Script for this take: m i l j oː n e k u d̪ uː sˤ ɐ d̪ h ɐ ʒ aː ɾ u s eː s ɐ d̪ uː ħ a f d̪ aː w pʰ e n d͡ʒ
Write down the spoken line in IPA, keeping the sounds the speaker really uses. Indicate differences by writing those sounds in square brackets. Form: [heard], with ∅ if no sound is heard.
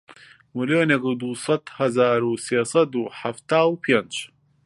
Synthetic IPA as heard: m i l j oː n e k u d̪ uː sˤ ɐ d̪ h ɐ [z] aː ɾ u s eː s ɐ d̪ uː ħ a f [t̪] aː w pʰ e n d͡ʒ